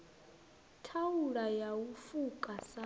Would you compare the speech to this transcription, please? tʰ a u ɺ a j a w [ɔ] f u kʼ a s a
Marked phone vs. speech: incorrect: u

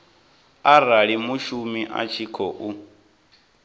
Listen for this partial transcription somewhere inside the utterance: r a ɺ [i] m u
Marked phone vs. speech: correct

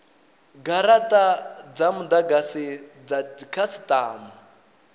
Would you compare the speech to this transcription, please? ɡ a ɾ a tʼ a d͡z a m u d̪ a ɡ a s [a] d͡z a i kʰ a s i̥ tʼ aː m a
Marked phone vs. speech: incorrect: i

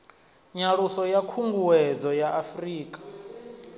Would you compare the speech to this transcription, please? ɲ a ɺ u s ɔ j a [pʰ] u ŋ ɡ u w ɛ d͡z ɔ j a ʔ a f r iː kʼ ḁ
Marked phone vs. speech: incorrect: kʰ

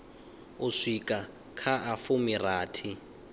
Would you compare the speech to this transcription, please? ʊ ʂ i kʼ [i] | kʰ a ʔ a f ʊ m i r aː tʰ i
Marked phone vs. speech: incorrect: a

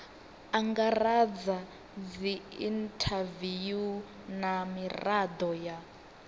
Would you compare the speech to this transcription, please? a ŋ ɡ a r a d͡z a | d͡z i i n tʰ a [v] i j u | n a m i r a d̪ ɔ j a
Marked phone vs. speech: correct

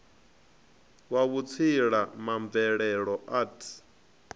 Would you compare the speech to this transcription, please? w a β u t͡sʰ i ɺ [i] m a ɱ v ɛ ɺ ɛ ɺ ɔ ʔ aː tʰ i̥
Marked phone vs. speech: incorrect: a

